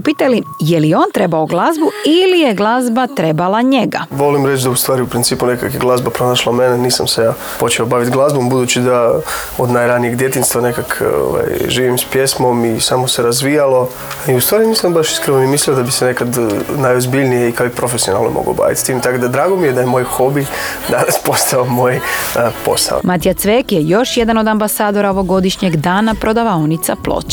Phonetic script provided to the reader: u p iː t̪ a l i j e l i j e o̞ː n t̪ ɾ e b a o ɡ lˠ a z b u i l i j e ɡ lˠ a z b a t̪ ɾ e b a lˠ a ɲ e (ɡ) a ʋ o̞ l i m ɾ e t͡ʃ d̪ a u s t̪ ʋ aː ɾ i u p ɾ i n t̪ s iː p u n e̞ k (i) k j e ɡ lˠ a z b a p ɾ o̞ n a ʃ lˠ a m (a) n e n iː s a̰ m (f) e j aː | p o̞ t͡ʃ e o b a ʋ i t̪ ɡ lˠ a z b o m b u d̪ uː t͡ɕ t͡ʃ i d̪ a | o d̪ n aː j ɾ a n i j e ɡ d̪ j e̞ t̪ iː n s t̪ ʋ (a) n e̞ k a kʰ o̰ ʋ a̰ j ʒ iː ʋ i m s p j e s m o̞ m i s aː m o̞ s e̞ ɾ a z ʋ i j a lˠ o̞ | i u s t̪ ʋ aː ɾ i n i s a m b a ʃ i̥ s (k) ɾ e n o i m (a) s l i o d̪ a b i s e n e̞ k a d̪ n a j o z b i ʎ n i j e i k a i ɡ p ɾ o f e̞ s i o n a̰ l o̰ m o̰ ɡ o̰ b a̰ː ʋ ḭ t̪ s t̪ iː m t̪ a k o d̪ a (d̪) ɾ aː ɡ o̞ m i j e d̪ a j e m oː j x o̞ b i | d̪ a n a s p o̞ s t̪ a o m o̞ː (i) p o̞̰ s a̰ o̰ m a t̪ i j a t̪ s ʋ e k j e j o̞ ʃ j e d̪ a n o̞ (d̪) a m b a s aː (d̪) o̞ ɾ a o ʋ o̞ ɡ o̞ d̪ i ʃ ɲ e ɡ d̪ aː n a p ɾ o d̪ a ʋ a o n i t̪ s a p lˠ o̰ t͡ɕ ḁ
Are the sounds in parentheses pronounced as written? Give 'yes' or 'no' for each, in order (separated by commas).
yes, no, no, no, yes, yes, no, yes, no, yes, yes